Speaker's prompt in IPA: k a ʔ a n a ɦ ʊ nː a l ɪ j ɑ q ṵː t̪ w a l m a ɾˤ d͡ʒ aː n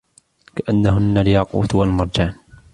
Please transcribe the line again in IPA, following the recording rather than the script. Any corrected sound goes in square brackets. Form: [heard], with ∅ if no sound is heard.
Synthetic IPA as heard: k a ʔ a [nː] a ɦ ʊ nː a l ɪ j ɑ q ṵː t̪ w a l m [ɑ] ɾˤ d͡ʒ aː n